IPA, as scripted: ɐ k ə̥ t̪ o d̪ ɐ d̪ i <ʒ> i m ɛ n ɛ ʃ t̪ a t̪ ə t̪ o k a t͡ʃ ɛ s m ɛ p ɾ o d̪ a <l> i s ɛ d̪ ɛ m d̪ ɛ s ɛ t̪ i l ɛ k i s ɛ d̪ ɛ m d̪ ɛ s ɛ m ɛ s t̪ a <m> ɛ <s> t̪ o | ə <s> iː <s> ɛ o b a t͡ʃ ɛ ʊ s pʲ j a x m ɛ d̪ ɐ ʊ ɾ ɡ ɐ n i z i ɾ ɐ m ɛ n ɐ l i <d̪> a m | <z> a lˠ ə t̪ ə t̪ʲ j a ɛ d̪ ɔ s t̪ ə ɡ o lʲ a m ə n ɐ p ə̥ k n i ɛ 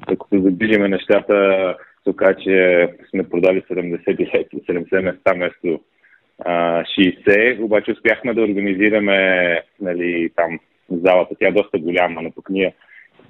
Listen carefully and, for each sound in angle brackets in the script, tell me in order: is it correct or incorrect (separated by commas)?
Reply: correct, correct, correct, correct, incorrect, correct, incorrect, correct